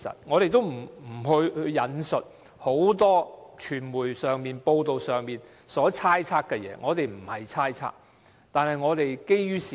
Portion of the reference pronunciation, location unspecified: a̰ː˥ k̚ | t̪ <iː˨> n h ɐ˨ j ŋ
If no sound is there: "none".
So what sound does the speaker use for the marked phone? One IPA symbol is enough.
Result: aː˨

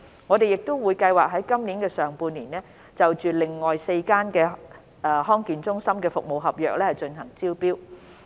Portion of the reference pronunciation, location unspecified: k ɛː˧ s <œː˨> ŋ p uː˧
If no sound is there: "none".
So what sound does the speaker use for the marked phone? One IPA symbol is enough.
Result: œː˨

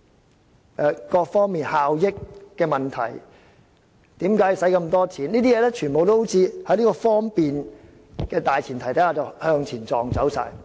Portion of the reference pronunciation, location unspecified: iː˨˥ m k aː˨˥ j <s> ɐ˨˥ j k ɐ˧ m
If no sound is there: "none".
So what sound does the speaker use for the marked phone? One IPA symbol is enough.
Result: s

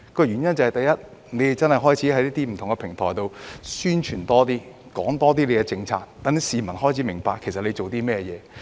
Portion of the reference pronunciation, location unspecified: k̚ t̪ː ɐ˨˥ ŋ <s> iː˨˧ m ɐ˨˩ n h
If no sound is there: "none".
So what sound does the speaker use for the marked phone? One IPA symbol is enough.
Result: s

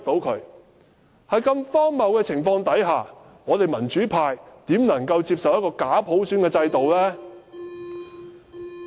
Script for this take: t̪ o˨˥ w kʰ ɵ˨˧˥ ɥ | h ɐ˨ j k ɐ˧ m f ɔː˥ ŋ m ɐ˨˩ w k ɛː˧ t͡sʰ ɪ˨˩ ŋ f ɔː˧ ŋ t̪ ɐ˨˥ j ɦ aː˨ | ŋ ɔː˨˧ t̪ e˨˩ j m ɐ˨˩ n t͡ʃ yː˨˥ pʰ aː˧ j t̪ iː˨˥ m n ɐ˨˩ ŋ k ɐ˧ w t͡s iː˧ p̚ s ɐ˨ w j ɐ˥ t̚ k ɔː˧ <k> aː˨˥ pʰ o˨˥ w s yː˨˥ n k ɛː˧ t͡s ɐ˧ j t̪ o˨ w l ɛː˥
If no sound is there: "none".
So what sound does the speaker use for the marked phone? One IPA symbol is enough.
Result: k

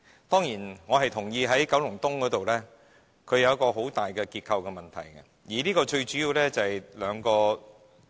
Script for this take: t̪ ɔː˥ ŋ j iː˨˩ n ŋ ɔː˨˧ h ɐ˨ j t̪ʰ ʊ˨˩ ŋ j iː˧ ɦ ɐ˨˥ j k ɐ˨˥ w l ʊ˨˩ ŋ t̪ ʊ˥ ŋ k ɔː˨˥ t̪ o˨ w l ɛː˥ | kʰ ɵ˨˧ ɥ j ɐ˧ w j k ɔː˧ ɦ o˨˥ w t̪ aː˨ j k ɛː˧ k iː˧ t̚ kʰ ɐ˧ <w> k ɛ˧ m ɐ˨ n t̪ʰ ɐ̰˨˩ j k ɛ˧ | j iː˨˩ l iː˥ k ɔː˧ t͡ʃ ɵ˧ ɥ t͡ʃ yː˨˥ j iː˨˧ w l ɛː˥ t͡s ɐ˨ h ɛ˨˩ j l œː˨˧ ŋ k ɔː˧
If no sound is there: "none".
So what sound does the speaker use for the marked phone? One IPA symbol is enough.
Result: w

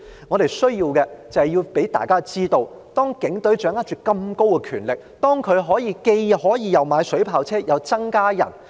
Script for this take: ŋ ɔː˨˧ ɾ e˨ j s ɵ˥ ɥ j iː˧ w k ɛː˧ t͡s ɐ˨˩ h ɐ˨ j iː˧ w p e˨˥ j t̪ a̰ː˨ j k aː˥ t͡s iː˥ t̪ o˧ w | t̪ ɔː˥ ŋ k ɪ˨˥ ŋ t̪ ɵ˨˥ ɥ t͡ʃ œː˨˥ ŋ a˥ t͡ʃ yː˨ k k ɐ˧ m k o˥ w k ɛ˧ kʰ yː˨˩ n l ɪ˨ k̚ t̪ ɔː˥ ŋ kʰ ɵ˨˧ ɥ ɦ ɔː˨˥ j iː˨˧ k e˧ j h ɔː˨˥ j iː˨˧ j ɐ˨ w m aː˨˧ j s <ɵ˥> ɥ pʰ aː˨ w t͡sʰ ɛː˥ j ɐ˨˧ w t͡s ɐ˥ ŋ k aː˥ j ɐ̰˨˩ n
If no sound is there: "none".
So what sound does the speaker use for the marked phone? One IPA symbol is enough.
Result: ɵ˨˥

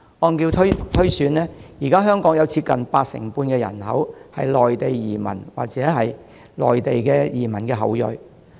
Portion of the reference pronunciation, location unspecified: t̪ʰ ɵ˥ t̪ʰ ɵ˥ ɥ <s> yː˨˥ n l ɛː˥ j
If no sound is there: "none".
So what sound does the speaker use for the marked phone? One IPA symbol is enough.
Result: s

